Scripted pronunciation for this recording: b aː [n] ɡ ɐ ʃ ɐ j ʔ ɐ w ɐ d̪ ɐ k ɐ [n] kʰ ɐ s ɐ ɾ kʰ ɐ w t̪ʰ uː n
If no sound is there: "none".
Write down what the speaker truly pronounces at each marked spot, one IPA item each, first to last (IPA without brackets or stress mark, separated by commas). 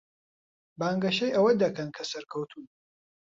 ŋ, n